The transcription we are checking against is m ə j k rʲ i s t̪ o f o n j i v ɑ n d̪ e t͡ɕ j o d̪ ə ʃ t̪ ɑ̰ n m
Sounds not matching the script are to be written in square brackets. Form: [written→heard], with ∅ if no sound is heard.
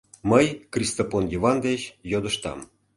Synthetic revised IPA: m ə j k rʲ i s t̪ o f o n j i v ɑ n d̪ e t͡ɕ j o d̪ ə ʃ t̪ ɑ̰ [n→∅] m